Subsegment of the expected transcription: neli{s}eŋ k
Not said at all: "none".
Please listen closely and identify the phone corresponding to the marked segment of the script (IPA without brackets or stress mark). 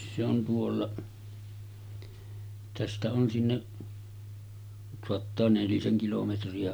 s